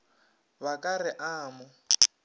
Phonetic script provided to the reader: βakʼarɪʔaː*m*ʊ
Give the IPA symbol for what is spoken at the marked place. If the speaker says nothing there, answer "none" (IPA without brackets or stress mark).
m